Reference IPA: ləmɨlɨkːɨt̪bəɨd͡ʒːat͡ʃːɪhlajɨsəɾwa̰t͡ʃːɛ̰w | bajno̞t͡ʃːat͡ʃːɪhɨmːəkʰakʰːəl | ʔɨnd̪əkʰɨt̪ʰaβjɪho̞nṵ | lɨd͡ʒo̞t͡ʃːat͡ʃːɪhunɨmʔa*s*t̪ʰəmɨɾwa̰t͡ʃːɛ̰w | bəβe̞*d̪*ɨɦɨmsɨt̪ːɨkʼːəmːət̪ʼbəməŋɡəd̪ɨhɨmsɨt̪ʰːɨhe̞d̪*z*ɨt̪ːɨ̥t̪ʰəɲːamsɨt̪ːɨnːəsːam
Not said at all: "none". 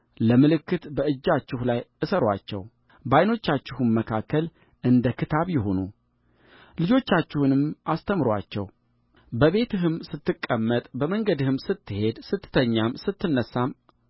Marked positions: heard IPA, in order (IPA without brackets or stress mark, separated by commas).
s, t̪, s